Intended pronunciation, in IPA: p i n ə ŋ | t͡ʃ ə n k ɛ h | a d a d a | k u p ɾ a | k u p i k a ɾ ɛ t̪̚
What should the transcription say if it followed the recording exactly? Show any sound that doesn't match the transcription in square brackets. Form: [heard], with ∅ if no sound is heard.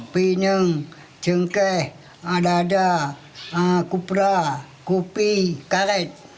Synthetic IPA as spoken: p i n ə ŋ | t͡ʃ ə [ŋ] k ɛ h | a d a d a | k u p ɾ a | k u p i k a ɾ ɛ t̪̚